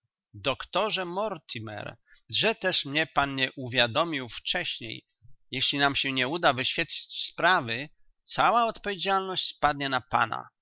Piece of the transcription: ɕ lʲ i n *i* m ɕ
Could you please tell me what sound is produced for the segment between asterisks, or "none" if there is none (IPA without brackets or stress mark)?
a